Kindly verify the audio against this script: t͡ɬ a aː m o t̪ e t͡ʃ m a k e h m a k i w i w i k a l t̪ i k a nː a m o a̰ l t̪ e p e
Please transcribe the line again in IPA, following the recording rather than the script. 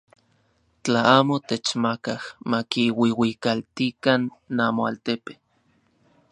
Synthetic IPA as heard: t͡ɬ a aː m o t̪ e t͡ʃ m a k a h m a k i w i w i k a l t̪ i k a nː a m o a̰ l t̪ e p e